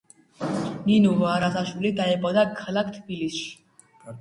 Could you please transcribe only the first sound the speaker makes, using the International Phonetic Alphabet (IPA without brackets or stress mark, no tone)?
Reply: n